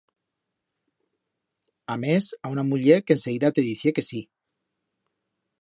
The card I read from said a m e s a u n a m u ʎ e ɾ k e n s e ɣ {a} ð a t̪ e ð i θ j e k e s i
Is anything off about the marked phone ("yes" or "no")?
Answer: yes